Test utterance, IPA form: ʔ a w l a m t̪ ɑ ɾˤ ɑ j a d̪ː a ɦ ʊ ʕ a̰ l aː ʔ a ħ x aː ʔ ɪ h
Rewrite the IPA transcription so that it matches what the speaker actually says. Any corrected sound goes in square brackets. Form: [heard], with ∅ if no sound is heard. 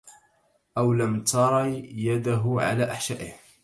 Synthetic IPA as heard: ʔ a w l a m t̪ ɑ ɾˤ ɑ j a [d̪] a ɦ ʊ ʕ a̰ l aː ʔ a ħ [ʃ] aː ʔ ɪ h